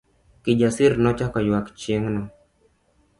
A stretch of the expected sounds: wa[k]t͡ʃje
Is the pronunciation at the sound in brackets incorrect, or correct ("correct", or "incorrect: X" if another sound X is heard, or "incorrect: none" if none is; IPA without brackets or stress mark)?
correct